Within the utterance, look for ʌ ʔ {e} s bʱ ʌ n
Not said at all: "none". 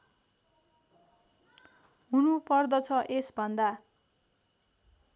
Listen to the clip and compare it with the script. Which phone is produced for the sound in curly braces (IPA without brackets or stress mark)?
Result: e